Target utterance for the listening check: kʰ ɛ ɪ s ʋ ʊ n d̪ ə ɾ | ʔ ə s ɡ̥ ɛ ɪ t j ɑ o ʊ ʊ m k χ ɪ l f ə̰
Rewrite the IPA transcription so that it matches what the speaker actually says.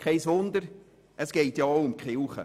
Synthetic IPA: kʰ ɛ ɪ s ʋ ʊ n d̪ ə ɾ | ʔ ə s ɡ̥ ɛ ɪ t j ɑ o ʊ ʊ m k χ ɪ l χ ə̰